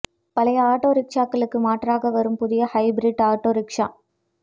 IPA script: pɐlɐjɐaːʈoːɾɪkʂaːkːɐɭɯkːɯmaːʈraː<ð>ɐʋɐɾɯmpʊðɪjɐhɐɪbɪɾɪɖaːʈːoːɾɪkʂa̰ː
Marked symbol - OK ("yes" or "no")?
no